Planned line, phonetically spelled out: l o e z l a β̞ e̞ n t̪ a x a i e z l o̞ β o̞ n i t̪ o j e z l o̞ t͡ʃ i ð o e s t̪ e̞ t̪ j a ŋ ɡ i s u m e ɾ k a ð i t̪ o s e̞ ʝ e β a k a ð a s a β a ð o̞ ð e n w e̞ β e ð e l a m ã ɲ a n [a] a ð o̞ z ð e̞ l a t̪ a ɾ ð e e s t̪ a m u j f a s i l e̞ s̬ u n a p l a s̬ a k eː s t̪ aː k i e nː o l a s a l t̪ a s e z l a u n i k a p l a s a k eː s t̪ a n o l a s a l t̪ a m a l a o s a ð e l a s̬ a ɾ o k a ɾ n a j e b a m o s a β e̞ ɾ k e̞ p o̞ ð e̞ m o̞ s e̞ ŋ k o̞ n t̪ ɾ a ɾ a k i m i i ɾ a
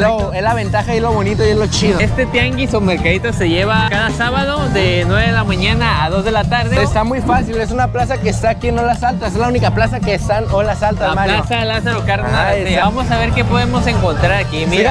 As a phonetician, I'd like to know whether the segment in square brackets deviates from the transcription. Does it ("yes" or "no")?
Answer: no